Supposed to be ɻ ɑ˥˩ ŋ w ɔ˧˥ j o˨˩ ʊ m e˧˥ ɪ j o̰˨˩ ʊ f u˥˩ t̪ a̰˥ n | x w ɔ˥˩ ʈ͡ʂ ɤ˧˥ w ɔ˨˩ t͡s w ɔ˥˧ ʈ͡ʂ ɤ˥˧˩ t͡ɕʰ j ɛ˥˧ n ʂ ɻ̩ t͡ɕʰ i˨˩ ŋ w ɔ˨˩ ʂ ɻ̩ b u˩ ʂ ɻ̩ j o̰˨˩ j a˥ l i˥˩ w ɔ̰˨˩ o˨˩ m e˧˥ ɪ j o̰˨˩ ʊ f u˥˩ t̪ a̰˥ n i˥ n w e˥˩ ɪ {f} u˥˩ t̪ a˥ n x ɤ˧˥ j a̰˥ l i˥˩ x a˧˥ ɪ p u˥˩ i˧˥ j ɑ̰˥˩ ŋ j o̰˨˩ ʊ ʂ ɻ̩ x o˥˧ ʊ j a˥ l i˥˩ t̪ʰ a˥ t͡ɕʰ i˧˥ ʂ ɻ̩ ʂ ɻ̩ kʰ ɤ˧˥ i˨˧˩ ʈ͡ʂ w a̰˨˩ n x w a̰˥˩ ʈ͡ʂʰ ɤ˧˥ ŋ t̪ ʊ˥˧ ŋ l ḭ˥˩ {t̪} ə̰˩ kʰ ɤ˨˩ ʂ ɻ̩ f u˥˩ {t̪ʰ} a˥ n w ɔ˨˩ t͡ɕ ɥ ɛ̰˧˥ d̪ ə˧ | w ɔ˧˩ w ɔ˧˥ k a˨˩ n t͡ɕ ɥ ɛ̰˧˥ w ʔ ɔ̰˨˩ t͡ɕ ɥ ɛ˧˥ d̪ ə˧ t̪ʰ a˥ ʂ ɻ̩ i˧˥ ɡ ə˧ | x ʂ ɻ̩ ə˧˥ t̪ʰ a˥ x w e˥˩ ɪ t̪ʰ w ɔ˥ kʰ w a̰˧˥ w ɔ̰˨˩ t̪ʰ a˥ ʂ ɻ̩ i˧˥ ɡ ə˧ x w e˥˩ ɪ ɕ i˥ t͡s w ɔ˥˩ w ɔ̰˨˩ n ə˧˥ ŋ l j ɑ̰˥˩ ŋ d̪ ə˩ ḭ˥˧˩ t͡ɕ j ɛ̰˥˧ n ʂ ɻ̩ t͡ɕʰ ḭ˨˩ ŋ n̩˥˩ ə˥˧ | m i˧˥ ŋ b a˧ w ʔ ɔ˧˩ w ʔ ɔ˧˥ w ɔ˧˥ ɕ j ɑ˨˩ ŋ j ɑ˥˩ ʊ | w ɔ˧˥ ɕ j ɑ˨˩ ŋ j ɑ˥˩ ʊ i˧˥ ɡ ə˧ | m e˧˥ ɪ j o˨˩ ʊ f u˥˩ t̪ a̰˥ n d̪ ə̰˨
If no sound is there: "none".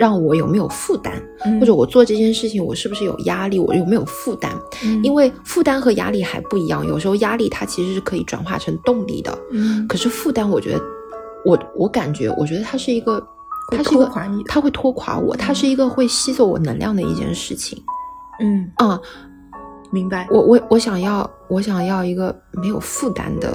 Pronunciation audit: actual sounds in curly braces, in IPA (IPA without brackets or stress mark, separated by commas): f, d̪, t̪